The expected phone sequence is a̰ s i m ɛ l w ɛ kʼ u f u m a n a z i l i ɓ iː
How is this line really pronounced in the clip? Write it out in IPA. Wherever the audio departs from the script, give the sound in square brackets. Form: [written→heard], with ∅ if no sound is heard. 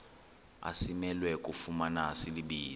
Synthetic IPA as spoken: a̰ s i m ɛ l w ɛ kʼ u f u m a n a [z→s] i l i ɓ iː